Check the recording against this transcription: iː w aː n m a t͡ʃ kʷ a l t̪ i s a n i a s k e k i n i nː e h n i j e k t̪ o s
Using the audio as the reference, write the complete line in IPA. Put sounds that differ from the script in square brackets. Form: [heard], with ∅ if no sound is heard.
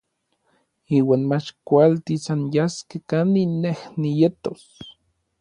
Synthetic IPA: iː w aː n m a t͡ʃ kʷ a l t̪ i s a n [j] a s k e k [a] n i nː e h n i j e [∅] t̪ o s

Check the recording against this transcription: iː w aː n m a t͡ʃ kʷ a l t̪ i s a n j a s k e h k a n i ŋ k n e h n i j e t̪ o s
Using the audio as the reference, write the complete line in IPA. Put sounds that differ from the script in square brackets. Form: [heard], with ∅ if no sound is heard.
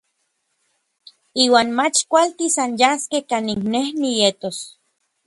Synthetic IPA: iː w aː n m a t͡ʃ kʷ a l t̪ i s a n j a s k e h k a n i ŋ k n e h n i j e t̪ o s

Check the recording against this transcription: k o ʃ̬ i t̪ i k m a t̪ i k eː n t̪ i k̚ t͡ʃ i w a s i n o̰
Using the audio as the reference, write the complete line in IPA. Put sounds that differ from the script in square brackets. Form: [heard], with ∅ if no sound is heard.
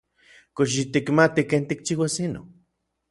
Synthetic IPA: k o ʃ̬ i t̪ i k m a t̪ i k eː n t̪ i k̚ t͡ʃ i w a s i n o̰

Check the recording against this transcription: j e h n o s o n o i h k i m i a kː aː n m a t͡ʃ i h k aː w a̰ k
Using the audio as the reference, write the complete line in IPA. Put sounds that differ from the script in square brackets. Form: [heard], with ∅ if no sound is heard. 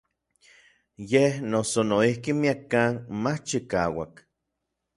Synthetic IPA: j e h n o s o n o i h k i m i a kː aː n m a t͡ʃ i [∅] k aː w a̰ k

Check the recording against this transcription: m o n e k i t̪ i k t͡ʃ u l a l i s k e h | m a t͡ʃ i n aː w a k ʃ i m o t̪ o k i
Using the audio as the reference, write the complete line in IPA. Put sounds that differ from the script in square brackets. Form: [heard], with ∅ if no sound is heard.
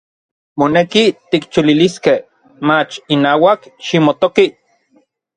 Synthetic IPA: m o n e k i t̪ i k t͡ʃ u l [i] l i s k e h | m a t͡ʃ i n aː w a k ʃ i m o t̪ o k i

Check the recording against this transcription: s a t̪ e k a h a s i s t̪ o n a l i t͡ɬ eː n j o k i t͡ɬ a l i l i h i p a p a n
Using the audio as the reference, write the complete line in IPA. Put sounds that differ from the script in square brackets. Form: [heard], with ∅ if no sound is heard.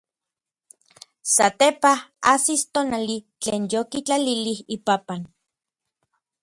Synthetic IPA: s a t̪ e [p] a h a s i s t̪ o n a l i t͡ɬ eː n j o k i t͡ɬ a l i l i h i p a p a n

